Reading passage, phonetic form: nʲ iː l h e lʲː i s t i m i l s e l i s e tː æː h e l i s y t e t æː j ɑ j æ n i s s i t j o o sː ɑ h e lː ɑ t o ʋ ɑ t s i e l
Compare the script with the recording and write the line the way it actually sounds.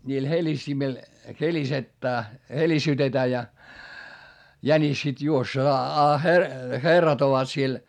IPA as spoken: nʲ iː l h e lʲ i s t i m i l h e l i s e tː æː h e l i s y t e t æː j ɑ j æ n i s s i t j u o sː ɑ h e rː ɑ t o ʋ ɑ t s i e l